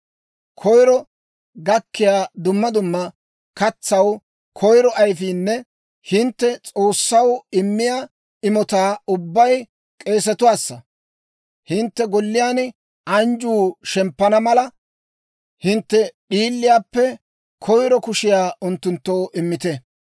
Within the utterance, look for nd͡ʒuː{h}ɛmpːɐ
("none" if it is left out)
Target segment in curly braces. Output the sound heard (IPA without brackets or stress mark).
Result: ʃ